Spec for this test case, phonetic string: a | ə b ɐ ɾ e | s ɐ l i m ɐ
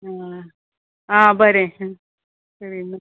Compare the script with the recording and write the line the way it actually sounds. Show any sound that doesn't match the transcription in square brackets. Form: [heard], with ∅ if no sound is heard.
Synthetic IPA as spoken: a | [a] b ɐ ɾ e | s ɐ [ɾ] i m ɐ